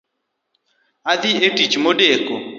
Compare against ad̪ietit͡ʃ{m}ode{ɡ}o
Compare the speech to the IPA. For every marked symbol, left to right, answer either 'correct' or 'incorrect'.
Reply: correct, incorrect

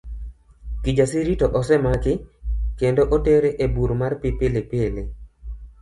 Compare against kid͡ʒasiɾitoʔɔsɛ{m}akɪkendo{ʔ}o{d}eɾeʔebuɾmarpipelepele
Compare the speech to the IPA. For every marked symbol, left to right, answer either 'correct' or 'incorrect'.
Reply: correct, correct, incorrect

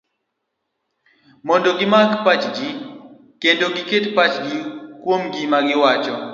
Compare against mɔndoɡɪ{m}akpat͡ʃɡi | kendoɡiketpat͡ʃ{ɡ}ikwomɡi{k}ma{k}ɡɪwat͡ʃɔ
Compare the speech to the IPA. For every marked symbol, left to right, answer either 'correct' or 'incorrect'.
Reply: correct, correct, incorrect, incorrect

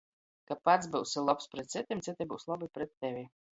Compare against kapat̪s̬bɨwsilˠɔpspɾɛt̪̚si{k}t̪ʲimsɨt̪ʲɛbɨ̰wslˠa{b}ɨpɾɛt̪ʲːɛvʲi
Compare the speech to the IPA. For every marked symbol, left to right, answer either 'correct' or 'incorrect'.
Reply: incorrect, correct

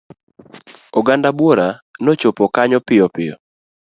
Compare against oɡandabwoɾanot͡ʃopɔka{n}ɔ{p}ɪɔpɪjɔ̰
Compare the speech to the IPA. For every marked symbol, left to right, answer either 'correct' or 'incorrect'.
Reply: incorrect, correct

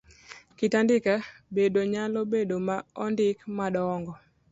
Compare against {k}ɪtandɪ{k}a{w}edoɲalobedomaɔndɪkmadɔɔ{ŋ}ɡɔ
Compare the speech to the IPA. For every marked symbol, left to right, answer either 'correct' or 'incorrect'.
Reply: correct, correct, incorrect, correct

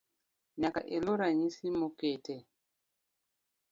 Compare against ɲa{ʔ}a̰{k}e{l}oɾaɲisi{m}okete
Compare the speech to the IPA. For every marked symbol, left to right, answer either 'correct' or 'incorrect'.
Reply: incorrect, incorrect, correct, correct

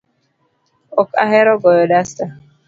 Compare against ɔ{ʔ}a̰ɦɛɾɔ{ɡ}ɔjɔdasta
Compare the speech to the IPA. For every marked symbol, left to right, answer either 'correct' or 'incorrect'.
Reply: incorrect, correct

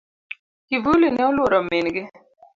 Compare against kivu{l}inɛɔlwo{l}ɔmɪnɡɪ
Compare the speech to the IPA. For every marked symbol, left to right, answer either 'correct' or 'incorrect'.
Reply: correct, incorrect

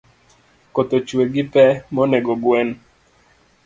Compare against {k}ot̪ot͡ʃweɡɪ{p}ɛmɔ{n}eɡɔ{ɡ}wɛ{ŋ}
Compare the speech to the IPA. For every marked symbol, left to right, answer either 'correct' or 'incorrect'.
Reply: correct, correct, correct, correct, incorrect

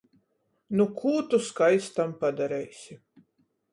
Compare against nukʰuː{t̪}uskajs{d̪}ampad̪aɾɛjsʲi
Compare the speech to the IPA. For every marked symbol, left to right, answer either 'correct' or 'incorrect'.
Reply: correct, incorrect

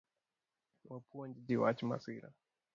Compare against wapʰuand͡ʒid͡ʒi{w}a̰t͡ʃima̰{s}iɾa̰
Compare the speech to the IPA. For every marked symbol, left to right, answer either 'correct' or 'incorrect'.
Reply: correct, correct

